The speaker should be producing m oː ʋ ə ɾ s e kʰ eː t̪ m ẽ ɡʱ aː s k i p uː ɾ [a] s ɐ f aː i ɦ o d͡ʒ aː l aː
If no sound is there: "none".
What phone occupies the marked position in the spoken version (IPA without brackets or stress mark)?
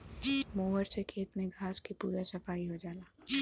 a